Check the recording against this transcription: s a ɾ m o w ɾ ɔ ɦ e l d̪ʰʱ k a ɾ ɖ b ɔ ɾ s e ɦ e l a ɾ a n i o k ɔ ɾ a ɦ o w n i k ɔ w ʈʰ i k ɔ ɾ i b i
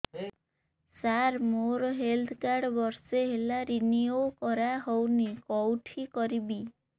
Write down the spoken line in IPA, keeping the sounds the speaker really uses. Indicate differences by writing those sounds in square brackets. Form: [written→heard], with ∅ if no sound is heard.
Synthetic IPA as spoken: s a ɾ m o [w→∅] ɾ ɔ ɦ e l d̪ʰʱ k a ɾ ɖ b ɔ ɾ s e ɦ e l a ɾ [a→i] n i o k ɔ ɾ a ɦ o w n i k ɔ w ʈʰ i k ɔ ɾ i b i